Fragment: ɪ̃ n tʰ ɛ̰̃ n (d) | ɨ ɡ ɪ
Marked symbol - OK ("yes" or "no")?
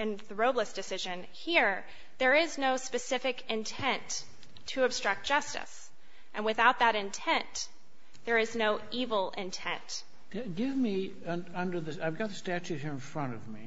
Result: no